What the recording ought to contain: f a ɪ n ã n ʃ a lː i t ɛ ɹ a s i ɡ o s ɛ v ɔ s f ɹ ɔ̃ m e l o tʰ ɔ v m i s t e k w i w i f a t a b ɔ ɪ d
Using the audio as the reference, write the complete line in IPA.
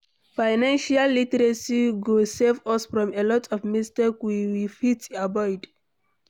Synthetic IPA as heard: f a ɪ n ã n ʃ a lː i t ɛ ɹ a s i ɡ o s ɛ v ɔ s f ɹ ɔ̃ m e l ɔ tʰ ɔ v m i s t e k w i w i f i t a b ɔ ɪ d